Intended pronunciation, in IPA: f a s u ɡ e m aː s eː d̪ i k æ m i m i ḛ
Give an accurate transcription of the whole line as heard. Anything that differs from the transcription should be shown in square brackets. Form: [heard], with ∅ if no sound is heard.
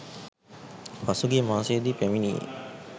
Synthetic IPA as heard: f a s u ɡ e m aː s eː d̪ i [p] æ m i [n] i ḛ